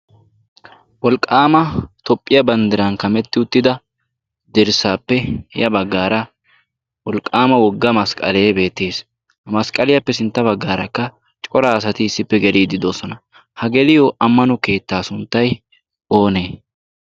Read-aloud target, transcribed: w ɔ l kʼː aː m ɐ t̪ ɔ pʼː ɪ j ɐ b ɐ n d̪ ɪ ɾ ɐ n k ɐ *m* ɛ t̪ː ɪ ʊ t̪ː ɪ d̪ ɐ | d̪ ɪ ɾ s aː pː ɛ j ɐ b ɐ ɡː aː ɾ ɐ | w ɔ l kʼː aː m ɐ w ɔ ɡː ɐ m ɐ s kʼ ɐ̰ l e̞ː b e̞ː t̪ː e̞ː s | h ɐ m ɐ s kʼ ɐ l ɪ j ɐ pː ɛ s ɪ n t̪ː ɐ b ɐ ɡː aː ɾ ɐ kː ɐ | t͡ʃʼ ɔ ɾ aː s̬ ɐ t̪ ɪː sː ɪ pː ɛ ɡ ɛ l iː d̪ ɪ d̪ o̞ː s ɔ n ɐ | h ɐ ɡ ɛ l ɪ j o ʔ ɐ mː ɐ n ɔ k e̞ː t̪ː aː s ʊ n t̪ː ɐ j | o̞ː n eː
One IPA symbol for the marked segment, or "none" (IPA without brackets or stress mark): m